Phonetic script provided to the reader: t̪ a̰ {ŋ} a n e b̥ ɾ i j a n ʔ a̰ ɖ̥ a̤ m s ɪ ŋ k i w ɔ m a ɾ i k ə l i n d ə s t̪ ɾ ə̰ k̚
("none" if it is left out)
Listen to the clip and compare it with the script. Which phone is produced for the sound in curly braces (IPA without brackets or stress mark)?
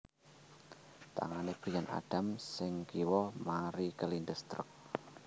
ŋ